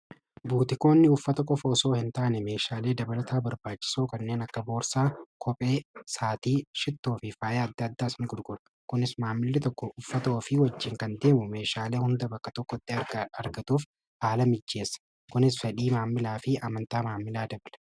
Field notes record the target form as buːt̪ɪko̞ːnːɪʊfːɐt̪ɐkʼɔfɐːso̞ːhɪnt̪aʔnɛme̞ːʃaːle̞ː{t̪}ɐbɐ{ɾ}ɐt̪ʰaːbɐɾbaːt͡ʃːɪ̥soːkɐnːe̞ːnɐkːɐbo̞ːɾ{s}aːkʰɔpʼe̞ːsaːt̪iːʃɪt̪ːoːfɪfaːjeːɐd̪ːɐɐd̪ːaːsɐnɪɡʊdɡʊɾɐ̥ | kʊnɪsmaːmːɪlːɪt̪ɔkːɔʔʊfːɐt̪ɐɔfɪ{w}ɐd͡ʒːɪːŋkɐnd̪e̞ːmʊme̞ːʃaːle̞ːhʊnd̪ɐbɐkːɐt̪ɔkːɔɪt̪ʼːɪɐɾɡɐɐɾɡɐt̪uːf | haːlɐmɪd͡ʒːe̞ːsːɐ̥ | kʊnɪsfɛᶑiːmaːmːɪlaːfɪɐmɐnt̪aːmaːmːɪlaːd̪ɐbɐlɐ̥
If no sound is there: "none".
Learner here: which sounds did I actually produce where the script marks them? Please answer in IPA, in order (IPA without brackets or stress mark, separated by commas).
d̪, l, s, w